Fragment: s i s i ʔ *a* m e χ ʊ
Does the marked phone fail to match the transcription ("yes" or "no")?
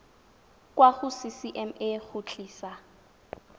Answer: yes